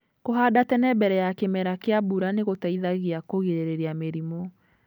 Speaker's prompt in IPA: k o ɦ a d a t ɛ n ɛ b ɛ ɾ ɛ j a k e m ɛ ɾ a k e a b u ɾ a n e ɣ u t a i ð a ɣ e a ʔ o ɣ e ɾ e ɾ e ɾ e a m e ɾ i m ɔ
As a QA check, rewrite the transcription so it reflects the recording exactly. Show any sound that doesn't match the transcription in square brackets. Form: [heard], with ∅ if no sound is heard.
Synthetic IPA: k o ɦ a d a t ɛ n ɛ b ɛ ɾ ɛ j a k e m ɛ ɾ a k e a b u ɾ a n e ɣ [o] t a i ð a ɣ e a [k] o ɣ e ɾ e ɾ e ɾ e a m e ɾ i m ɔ